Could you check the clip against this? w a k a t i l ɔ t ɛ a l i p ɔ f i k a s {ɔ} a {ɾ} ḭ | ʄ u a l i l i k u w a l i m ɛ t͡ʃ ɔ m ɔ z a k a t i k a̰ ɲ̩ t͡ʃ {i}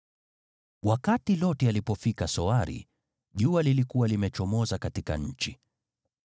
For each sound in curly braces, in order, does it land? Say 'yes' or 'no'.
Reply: yes, yes, yes

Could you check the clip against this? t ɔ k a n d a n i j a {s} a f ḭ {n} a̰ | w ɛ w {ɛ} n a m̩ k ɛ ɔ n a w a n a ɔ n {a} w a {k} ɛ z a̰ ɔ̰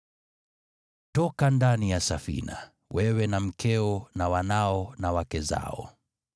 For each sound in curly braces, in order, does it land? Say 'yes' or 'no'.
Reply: yes, yes, yes, yes, yes

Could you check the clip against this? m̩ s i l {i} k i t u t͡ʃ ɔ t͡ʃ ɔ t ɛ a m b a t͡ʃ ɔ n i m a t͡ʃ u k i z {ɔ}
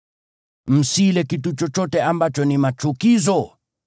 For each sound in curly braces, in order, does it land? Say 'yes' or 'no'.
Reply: no, yes

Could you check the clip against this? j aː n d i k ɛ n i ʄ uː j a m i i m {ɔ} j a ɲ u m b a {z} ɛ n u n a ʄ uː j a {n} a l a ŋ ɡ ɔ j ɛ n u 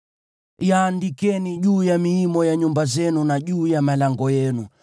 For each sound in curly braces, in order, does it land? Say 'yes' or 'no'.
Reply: yes, yes, no

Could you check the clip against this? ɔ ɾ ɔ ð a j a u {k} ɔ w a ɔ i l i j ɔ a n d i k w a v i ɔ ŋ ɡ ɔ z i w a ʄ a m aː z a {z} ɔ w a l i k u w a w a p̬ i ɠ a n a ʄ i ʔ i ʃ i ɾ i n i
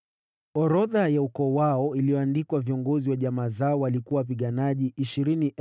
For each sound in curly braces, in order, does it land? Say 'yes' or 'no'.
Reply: yes, no

